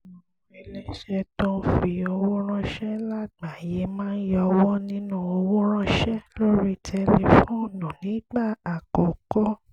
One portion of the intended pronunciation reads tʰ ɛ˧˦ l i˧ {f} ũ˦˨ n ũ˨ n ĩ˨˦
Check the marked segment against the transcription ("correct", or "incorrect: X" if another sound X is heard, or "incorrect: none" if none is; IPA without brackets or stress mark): correct